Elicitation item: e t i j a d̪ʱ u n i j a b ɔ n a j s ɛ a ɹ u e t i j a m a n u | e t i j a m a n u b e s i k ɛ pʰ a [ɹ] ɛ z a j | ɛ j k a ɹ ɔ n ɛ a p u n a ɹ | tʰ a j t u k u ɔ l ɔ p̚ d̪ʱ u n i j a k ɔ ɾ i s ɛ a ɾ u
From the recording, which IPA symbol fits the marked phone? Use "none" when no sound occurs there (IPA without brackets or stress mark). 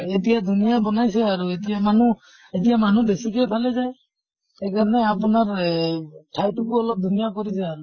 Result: l